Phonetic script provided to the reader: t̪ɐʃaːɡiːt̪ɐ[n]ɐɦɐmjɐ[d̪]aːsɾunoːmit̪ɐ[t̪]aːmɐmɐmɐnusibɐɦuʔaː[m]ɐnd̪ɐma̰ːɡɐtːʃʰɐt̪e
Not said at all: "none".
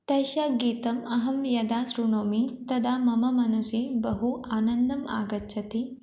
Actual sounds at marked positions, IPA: m, d̪, d̪, n

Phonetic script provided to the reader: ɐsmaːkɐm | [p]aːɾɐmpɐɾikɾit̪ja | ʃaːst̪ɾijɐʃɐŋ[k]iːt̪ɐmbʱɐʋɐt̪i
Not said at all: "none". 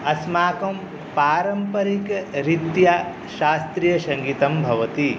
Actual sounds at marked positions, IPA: p, ɡ

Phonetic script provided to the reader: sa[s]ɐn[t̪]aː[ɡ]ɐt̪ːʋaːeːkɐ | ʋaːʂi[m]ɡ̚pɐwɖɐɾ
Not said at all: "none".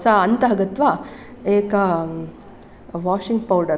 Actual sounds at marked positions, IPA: none, t̪, ɡ, ŋ

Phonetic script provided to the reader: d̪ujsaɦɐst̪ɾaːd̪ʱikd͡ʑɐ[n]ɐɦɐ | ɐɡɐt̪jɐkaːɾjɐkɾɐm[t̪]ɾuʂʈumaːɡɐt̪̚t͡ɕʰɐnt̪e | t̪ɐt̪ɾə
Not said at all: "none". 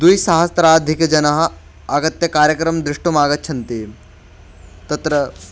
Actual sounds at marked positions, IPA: n, d̪

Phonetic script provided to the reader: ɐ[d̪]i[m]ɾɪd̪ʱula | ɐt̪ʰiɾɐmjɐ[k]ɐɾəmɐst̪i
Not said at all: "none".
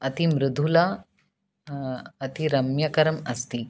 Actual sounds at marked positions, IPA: t̪, m, k

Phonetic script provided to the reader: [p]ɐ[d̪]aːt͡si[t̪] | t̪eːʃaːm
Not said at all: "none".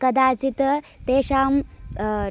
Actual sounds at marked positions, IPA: k, d̪, t̪

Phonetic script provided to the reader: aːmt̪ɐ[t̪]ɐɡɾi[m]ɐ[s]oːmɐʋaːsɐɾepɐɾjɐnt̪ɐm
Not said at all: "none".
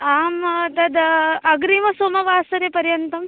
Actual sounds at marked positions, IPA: d̪, m, s

